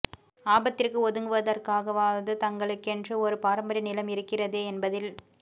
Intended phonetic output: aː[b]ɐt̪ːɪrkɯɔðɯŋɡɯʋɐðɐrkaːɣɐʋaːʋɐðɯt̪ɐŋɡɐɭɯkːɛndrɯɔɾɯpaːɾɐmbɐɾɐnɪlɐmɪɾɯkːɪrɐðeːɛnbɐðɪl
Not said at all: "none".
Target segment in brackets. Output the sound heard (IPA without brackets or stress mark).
b